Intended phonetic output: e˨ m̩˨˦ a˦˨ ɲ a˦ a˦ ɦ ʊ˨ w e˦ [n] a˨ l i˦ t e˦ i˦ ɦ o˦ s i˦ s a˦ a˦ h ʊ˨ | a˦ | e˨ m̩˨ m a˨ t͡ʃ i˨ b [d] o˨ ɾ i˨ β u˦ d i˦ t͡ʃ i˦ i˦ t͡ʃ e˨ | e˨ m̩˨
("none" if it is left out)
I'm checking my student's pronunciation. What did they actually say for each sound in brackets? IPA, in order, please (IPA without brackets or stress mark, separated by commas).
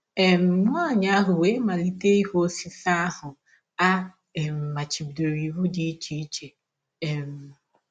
m, d